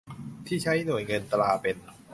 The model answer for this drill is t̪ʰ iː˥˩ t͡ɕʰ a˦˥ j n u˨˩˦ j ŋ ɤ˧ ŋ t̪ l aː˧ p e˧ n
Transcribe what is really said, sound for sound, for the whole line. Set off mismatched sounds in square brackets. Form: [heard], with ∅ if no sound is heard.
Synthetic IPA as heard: t̪ʰ iː˥˩ t͡ɕʰ a˦˥ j n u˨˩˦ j ŋ ɤ˧ [n] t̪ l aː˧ p e˧ n